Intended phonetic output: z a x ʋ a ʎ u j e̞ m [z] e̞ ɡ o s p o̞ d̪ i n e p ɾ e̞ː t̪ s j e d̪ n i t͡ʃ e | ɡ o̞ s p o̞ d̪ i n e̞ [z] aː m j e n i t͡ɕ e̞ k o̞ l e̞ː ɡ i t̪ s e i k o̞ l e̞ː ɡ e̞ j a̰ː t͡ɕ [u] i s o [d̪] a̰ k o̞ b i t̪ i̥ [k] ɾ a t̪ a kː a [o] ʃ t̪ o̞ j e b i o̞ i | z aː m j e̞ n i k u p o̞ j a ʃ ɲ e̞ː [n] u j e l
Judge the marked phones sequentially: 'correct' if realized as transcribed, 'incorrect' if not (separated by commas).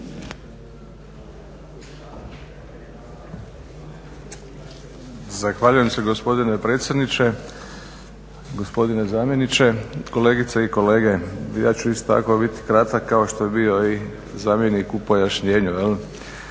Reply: incorrect, correct, correct, incorrect, correct, correct, incorrect